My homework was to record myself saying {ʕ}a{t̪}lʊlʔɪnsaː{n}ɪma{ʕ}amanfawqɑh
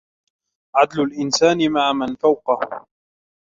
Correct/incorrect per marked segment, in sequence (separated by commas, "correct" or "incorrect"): correct, incorrect, correct, correct